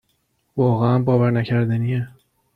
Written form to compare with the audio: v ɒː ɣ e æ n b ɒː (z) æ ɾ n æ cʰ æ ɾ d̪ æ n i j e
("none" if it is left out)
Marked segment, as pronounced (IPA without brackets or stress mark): v